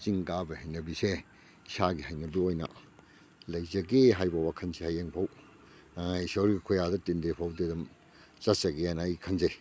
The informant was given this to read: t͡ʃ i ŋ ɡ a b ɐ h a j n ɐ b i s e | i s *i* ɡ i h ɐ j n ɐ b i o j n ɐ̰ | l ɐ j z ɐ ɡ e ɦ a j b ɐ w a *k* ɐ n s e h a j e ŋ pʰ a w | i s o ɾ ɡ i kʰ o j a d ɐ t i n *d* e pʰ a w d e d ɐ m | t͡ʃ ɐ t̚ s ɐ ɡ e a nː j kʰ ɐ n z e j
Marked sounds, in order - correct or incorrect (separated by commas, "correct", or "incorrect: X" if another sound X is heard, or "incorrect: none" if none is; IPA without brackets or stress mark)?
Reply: incorrect: a, incorrect: kʰ, correct